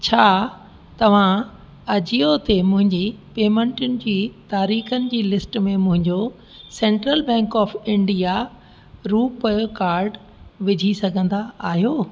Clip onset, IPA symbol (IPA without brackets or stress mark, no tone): t͡ɕʰ